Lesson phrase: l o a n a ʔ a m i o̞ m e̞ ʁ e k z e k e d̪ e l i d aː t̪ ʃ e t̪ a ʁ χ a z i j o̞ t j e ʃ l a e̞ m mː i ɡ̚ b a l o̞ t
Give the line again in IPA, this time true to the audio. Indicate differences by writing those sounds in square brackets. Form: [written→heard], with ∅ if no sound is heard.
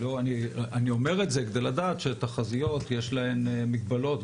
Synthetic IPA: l o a n [a→i] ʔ a [m→n] i o̞ m e̞ ʁ e [k→t] z e k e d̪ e l [i→a] d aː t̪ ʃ e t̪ a [ʁ→∅] χ a z i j o̞ t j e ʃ l a e̞ m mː i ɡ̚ b a l o̞ t